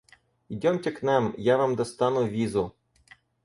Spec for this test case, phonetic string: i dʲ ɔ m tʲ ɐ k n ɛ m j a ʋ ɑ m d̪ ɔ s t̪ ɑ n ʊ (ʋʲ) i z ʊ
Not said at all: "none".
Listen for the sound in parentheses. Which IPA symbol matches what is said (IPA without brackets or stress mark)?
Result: ʋʲ